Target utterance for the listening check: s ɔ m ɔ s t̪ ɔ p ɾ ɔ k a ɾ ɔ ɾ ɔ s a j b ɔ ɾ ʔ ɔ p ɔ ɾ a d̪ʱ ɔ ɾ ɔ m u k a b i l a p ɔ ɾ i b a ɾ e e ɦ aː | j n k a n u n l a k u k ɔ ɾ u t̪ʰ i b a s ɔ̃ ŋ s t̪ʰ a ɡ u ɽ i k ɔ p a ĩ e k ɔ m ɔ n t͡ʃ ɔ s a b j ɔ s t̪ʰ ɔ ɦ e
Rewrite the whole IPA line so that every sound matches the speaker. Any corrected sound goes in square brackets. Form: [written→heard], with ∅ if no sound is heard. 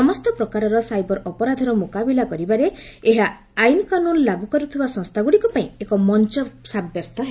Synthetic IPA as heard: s ɔ m ɔ s t̪ ɔ p ɾ ɔ k a ɾ ɔ ɾ ɔ s a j b ɔ ɾ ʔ ɔ p ɔ ɾ a d̪ʱ ɔ ɾ ɔ m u k a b i l a [p→k] ɔ ɾ i b a ɾ e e ɦ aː | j n k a n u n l a [k→ɡ] u k ɔ ɾ u t̪ʰ i b a s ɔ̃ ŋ s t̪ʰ a ɡ u ɽ i k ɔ p a ĩ e k ɔ m ɔ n t͡ʃ ɔ s a b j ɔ s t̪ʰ ɔ ɦ e